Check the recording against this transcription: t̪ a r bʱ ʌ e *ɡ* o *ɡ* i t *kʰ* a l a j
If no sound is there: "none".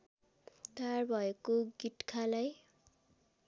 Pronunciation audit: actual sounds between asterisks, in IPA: k, ɡ, kʰ

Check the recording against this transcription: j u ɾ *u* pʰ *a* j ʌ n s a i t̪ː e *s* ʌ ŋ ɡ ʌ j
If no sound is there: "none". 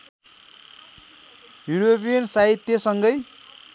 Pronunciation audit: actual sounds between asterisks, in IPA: o, i, s

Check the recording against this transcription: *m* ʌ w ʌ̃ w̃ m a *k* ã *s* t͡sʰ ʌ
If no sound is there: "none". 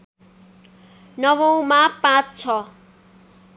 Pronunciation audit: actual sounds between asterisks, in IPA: n, p, t͡s

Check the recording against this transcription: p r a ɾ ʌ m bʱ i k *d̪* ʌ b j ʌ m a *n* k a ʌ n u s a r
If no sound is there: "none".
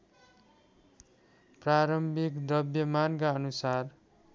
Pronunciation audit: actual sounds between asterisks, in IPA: d̪, n

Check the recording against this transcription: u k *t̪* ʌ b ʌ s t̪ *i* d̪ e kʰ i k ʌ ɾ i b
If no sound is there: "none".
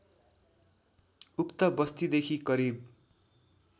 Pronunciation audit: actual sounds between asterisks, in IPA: t̪, i

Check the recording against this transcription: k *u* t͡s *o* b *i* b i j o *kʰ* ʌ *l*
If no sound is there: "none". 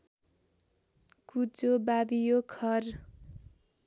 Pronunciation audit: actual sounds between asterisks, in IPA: u, o, a, kʰ, r

